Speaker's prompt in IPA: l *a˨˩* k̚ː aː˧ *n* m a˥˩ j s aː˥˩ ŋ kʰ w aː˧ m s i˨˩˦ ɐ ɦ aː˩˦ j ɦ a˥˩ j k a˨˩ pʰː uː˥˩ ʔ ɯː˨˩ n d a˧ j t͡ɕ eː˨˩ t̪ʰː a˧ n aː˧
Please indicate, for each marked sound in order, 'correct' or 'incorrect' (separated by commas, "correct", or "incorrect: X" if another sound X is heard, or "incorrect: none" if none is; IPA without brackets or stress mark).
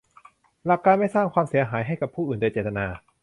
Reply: correct, correct